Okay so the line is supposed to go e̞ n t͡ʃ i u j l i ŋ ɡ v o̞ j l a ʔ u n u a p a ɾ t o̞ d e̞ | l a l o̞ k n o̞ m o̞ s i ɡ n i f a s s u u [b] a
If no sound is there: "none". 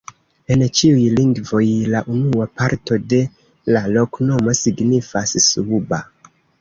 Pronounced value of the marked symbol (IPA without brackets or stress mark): b